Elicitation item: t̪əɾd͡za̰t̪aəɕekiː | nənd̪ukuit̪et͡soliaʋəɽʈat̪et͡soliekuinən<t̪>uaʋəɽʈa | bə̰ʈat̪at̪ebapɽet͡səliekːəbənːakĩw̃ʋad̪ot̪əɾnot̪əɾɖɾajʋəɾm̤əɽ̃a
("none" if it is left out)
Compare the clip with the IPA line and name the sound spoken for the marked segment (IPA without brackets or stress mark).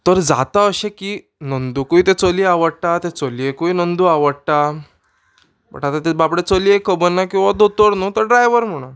d̪